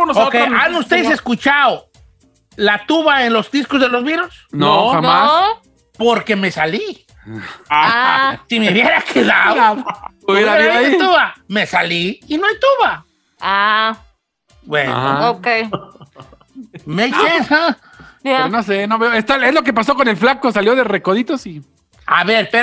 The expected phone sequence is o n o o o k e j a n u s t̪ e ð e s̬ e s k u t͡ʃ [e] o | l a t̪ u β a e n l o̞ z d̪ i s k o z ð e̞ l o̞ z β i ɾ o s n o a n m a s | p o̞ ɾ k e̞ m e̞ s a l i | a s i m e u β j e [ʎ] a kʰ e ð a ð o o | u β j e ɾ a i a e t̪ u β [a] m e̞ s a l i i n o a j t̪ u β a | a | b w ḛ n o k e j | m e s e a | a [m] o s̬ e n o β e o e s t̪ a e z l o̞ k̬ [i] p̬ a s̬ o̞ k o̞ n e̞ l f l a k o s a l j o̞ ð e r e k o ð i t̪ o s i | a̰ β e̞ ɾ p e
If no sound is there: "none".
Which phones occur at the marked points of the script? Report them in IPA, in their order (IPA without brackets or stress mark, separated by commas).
a, ɾ, a, n, e